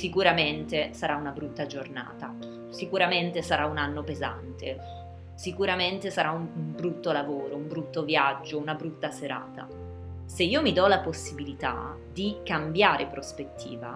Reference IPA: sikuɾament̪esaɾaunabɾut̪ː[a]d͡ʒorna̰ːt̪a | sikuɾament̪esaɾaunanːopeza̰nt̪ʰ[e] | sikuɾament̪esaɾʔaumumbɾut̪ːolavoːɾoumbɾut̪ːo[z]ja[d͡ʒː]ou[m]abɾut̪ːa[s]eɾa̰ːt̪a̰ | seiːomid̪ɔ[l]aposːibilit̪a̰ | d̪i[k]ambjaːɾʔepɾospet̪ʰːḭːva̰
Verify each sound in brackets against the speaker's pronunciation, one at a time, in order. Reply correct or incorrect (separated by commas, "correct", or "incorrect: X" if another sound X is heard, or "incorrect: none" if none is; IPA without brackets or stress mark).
correct, correct, incorrect: v, correct, incorrect: n, correct, correct, correct